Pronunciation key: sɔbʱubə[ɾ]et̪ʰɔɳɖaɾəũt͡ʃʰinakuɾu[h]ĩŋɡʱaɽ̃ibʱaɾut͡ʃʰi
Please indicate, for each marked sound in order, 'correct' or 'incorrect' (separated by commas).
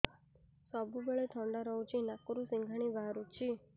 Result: incorrect, incorrect